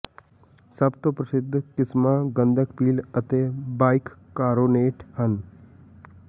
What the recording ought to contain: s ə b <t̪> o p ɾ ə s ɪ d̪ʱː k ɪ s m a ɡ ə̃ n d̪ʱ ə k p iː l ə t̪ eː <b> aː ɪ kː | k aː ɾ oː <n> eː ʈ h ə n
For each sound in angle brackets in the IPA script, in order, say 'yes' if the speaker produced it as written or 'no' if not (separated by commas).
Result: yes, yes, yes